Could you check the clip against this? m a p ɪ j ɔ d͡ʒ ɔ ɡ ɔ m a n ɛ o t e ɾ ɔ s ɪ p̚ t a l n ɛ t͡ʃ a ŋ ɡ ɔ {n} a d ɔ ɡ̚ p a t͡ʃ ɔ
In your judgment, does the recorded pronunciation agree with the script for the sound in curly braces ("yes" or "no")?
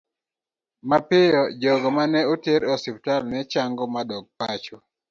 no